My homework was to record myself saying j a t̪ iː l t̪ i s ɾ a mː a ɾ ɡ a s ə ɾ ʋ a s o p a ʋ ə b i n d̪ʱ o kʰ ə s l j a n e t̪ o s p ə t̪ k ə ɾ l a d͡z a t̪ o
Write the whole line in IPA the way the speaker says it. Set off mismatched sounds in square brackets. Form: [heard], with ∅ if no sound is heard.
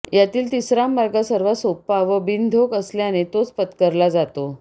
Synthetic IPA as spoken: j a t̪ iː l t̪ i s ɾ a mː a ɾ ɡ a s ə ɾ ʋ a s o p a ʋ ə b i n d̪ʱ o [k] ə s l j a n e t̪ o [t͡s] p ə t̪ k ə ɾ l a d͡z a t̪ o